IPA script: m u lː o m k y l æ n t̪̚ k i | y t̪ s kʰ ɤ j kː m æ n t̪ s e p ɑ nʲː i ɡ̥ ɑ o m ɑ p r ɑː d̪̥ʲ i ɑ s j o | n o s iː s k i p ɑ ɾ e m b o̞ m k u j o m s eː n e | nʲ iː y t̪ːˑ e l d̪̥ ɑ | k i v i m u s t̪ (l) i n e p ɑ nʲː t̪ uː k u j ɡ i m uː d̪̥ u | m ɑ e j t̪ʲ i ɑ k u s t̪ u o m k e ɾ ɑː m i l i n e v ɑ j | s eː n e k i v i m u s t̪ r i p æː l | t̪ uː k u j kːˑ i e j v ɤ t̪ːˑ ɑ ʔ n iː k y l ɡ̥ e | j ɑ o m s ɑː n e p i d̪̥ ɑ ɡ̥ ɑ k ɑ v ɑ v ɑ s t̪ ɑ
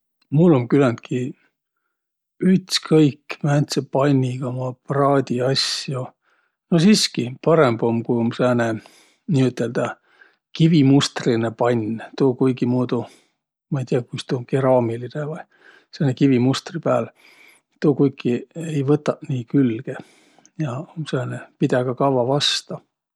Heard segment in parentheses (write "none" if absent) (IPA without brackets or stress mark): r